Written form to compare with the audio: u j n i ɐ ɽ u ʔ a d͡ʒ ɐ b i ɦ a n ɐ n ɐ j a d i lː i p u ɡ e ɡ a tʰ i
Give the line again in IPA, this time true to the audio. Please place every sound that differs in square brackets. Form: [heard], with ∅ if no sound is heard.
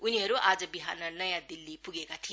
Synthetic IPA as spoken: u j n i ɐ [ɾ] u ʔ a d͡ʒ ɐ b i ɦ a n ɐ n ɐ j a d i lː i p u ɡ e ɡ a tʰ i